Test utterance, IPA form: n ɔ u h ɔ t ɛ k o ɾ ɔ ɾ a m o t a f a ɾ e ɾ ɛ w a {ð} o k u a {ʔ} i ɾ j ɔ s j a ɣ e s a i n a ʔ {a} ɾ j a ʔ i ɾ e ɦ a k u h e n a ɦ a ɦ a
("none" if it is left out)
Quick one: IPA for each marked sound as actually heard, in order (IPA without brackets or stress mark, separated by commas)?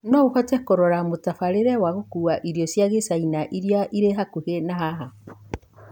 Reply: ɣ, ʔ, i